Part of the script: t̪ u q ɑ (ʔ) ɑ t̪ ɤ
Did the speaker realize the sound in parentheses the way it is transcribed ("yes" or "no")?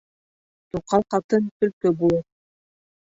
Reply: no